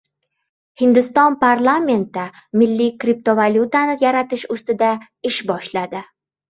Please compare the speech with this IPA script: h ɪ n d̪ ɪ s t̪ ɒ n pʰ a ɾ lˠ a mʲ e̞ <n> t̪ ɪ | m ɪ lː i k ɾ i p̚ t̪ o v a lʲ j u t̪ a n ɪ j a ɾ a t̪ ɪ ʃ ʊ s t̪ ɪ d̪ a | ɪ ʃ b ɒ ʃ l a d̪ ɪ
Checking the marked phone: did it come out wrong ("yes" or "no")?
no